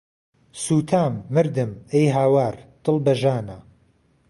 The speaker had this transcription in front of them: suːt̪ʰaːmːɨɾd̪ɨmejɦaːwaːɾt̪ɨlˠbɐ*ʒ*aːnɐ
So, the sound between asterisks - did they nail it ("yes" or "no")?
yes